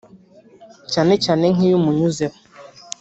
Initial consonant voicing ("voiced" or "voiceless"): voiceless